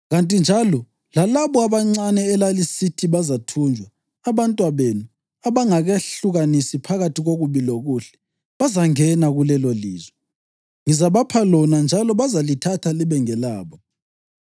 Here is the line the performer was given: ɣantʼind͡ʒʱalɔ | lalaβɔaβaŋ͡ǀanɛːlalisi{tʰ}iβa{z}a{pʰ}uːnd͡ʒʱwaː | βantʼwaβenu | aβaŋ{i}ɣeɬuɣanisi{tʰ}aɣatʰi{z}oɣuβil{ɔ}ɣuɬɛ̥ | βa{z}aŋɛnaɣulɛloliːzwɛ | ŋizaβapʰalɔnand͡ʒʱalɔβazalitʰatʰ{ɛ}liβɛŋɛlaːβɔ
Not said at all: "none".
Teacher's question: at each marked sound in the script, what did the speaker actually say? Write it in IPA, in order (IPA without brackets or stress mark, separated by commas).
tʰ, z, tʰ, a, pʰ, ɣ, o, z, a